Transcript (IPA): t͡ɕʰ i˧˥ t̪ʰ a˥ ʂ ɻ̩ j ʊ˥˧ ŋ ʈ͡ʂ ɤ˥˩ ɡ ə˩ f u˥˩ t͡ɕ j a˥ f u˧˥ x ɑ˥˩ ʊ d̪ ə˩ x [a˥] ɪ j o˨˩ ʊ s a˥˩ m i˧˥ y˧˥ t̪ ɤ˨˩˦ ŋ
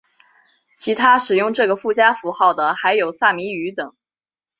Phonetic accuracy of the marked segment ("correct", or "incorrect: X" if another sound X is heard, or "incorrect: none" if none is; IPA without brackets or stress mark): incorrect: a˧˥